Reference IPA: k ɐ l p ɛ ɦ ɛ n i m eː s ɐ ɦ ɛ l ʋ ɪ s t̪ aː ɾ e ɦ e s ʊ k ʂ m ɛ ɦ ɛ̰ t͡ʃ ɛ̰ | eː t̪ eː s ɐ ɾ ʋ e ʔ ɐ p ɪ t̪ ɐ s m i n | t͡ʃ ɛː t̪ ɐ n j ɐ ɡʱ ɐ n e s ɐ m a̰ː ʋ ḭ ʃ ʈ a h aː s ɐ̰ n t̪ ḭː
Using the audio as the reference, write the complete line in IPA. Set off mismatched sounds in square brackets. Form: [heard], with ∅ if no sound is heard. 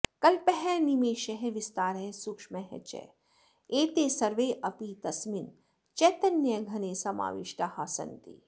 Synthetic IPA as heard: k ɐ l p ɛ ɦ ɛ n i m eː [ʃ] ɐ ɦ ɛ [∅] ʋ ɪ s t̪ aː ɾ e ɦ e s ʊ k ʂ m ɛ ɦ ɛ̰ t͡ʃ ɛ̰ | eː t̪ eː s ɐ ɾ ʋ e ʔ ɐ p [i] t̪ ɐ s m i n | t͡ʃ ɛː t̪ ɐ n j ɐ ɡʱ ɐ n e s ɐ m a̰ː ʋ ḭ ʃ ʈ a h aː s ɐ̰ n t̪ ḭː